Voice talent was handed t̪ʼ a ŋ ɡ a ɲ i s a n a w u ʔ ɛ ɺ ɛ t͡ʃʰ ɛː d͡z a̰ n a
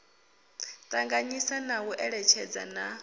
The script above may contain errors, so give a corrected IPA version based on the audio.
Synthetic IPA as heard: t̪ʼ a ŋ ɡ a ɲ i s a n a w u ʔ ɛ ɺ ɛ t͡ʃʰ ɛ d͡z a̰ n a